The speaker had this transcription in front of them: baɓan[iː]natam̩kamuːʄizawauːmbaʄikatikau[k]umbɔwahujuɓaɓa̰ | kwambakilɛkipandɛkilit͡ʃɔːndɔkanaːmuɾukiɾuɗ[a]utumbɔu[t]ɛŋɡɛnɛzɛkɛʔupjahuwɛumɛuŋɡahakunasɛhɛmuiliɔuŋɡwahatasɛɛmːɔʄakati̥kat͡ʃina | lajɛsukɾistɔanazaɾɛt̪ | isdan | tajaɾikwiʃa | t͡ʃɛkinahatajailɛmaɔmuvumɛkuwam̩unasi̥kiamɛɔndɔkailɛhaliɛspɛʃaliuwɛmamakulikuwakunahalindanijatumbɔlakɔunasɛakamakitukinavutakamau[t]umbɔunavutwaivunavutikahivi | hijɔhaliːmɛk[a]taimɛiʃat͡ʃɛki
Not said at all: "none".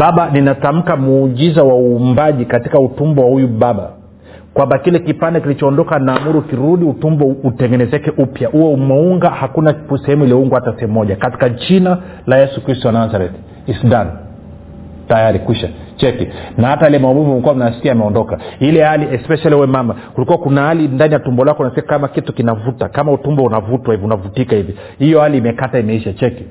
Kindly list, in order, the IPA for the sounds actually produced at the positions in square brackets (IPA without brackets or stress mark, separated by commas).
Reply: i, t, i, t, t, a